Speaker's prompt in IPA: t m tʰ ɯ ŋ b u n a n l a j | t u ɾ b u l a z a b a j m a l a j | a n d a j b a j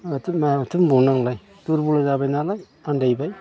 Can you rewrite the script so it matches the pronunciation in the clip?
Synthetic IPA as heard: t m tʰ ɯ m b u n a ŋ l a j | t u ɾ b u l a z a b a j n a l a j | a n d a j b a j